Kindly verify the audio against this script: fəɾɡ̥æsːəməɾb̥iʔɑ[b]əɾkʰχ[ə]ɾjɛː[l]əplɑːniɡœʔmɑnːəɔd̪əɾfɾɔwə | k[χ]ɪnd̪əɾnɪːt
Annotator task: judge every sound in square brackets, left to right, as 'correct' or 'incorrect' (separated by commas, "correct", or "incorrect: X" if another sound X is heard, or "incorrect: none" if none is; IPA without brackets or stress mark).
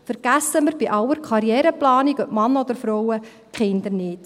incorrect: w, incorrect: ɑ, incorrect: ɾ, correct